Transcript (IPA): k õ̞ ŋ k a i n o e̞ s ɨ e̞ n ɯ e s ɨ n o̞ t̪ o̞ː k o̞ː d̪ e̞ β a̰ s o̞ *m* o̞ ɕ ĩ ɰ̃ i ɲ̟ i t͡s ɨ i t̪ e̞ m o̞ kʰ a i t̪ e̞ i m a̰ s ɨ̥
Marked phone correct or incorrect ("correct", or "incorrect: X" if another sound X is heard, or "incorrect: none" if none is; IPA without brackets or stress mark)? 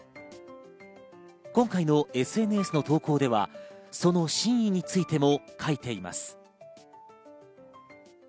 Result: incorrect: n